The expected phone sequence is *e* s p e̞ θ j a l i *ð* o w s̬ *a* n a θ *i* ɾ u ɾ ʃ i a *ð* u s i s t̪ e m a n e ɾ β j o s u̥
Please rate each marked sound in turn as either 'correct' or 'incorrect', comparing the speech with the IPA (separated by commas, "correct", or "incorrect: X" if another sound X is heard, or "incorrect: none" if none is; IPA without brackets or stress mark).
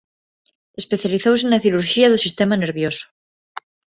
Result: correct, incorrect: θ, incorrect: e, correct, correct